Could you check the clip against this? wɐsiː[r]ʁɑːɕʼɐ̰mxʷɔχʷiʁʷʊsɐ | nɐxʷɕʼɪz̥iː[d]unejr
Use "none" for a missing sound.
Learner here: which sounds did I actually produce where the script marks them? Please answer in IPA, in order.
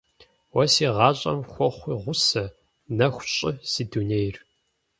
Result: none, d

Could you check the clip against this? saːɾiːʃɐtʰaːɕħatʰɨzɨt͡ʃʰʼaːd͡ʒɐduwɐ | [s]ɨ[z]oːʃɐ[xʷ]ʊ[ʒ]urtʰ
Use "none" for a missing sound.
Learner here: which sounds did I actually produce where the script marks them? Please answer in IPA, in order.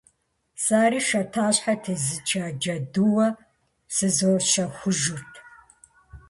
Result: s, z, xʷ, ʒ

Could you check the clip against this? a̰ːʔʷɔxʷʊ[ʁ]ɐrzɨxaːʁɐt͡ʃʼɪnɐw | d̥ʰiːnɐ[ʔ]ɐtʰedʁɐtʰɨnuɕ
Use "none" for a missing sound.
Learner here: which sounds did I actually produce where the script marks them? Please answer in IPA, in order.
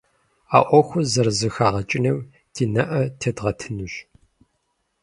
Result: z, ʔ

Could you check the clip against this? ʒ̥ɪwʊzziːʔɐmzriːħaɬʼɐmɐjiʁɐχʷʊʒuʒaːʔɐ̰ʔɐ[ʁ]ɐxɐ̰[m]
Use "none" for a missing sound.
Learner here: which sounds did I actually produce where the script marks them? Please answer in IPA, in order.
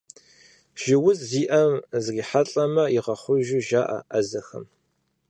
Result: z, m

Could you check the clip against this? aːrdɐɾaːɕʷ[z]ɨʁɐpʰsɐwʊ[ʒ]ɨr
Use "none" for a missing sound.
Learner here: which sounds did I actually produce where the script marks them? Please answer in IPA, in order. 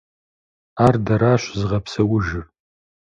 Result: z, ʒ

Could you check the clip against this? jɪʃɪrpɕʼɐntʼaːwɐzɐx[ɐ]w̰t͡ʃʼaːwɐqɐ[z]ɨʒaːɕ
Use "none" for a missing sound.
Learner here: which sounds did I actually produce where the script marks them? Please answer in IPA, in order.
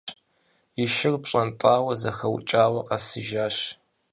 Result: ɐ, s

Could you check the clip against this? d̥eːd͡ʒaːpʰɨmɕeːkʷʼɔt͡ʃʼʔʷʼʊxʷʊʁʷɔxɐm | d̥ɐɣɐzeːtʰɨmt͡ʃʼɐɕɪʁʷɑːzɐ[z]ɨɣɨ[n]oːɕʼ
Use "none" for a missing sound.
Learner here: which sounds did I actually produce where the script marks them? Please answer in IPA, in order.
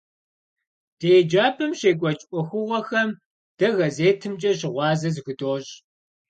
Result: z, d

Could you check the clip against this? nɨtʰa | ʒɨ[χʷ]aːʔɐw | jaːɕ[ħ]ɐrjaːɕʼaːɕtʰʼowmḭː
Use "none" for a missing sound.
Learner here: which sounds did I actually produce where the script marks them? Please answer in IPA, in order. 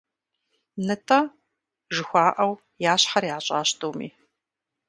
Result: xʷ, ħ

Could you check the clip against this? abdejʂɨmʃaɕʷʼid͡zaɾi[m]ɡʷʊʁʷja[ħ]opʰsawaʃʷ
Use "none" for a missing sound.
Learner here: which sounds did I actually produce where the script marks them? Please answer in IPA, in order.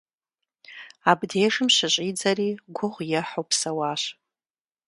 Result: none, ħ

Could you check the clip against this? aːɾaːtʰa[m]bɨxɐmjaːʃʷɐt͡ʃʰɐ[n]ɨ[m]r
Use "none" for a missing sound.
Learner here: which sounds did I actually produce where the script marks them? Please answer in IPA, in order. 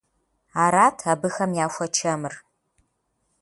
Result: none, m, none

